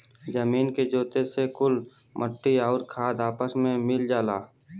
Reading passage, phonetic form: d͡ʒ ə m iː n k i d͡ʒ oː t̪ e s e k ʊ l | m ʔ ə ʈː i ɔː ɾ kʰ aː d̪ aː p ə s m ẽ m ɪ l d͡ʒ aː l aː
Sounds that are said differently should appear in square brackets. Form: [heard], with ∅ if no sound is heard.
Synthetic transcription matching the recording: d͡ʒ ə m iː n k [e] d͡ʒ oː t̪ e s e k ʊ l | m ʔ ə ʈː i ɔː ɾ kʰ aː d̪ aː p ə s m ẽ m ɪ l d͡ʒ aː l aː